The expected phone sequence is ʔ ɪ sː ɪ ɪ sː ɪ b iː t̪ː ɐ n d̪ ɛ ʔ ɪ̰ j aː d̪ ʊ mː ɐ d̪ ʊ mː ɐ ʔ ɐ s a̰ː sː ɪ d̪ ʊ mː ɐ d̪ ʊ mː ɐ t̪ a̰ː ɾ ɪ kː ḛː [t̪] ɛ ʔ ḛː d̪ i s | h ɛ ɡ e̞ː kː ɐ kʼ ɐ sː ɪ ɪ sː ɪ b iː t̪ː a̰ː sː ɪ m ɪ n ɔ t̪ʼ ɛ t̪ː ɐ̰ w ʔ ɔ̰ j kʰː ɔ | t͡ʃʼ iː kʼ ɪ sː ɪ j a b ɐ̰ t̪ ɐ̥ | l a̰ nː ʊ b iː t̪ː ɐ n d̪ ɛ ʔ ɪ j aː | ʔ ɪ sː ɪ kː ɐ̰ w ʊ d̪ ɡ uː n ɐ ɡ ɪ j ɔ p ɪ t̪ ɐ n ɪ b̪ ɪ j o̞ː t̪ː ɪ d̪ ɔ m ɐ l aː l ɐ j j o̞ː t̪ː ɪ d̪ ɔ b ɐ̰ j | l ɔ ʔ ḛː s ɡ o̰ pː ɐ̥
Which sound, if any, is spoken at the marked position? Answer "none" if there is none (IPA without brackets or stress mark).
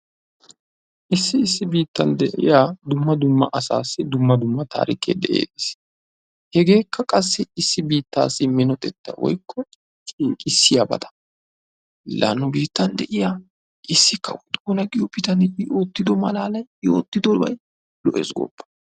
d̪